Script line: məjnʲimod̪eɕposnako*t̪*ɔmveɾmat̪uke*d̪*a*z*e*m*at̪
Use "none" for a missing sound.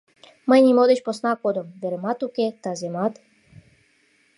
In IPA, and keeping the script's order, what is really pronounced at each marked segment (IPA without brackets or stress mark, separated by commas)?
d̪, t̪, z, m